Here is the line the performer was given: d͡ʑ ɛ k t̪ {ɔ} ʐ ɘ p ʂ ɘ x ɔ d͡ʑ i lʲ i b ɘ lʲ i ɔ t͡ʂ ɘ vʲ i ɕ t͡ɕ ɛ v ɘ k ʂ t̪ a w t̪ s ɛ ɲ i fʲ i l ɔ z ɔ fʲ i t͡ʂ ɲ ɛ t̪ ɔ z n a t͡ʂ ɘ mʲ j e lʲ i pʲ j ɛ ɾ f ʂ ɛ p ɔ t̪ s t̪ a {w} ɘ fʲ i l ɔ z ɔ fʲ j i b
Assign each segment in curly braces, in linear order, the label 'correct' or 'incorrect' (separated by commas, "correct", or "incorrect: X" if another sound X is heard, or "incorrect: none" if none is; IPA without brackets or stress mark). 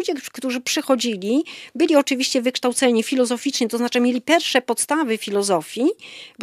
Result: incorrect: u, incorrect: v